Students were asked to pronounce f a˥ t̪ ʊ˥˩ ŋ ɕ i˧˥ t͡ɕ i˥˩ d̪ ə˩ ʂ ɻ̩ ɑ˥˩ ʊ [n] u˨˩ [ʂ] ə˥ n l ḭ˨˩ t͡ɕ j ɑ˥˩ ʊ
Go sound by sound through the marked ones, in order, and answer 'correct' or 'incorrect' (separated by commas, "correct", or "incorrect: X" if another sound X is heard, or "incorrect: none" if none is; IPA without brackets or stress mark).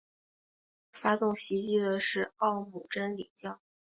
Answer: incorrect: m, incorrect: ʈ͡ʂ